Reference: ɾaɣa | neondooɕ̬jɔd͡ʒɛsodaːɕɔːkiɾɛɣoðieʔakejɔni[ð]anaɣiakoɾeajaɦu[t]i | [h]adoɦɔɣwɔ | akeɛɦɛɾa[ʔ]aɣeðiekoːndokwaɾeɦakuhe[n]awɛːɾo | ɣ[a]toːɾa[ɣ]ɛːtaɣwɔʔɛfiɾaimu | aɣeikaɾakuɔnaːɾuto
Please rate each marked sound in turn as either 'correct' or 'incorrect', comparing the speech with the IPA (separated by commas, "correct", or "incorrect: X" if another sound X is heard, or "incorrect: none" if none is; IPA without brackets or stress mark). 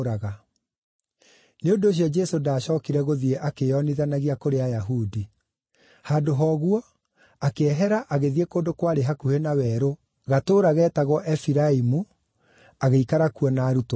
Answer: correct, incorrect: d, correct, correct, correct, correct, correct